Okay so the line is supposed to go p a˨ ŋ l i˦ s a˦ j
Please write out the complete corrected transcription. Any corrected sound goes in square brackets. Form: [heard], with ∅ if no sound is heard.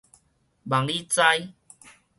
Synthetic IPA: [b] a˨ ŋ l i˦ [t͡s] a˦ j